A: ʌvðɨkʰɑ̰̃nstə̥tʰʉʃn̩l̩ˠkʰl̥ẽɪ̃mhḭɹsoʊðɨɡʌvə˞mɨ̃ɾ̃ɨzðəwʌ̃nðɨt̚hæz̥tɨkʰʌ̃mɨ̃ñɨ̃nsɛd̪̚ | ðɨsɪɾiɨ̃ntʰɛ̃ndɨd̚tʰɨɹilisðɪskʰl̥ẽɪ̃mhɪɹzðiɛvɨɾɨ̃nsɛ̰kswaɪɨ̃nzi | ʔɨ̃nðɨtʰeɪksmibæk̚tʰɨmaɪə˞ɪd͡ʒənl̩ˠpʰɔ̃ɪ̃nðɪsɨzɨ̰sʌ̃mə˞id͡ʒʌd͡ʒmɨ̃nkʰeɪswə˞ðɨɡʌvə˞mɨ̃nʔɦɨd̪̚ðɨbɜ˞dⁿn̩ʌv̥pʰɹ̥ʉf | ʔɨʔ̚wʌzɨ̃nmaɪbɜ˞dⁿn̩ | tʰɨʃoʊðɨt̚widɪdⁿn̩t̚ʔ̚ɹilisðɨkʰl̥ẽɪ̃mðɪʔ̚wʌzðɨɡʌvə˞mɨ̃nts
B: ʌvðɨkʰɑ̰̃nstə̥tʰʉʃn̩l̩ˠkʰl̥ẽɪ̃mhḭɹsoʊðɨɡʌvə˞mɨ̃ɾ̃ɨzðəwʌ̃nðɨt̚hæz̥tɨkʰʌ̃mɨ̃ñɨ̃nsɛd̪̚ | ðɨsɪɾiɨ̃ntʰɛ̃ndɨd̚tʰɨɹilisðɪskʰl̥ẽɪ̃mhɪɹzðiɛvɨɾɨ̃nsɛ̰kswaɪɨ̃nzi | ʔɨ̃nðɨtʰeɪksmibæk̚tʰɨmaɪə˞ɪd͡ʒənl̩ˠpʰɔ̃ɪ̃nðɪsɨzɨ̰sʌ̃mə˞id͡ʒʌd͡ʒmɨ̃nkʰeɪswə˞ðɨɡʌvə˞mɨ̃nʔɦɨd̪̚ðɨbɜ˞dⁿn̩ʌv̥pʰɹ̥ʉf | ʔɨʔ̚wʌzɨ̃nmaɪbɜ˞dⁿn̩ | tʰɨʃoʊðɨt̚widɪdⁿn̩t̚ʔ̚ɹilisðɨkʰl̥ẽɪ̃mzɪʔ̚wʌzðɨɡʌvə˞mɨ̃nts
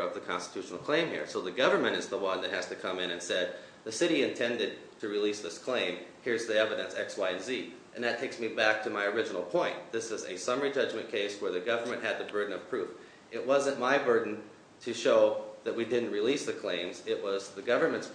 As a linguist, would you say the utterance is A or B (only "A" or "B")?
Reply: B